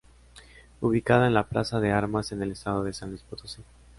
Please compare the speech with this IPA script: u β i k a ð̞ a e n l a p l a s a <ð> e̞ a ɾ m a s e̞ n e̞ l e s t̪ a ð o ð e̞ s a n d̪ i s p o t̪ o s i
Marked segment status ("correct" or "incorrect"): correct